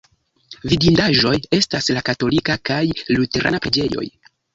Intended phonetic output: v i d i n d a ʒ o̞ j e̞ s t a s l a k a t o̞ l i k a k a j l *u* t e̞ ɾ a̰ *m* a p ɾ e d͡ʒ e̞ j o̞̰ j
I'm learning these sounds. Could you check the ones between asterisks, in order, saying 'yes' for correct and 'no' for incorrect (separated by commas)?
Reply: yes, no